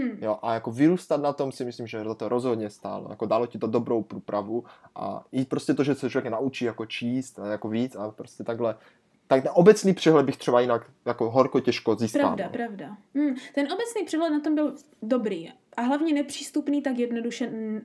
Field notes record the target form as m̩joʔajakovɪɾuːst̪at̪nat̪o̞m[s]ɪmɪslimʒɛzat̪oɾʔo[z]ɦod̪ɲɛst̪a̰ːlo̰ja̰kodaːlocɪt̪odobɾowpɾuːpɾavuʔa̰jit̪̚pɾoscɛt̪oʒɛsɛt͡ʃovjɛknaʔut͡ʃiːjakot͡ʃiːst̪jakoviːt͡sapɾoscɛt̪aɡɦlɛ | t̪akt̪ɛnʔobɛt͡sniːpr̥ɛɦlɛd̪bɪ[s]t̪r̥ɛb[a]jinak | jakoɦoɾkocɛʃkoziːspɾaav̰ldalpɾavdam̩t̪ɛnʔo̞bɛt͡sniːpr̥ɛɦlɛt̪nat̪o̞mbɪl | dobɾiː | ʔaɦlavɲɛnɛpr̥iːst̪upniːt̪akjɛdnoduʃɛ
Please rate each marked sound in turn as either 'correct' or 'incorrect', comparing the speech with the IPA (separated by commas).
correct, correct, incorrect, correct